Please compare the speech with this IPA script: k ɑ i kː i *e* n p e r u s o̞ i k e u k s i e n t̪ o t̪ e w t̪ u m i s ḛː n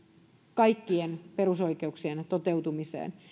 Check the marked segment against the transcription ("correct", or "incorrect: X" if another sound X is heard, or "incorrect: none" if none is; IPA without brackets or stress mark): correct